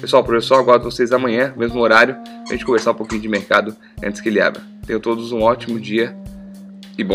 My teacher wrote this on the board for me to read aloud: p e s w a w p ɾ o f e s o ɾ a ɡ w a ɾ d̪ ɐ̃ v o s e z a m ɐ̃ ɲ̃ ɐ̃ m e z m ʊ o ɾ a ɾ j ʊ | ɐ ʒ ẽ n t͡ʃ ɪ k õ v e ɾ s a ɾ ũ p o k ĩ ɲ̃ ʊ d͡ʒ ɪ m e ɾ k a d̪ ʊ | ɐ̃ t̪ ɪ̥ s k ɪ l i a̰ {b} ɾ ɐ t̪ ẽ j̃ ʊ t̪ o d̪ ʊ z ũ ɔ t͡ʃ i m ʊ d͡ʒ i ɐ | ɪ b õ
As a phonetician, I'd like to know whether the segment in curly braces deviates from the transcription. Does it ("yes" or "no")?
no